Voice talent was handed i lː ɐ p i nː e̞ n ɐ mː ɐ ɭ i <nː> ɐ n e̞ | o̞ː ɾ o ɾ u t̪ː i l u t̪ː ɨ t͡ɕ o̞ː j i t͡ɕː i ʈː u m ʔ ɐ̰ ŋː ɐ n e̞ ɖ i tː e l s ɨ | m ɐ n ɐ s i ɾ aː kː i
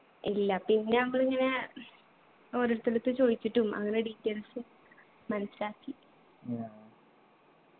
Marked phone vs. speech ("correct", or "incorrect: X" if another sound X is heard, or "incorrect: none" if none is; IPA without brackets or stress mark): incorrect: ŋː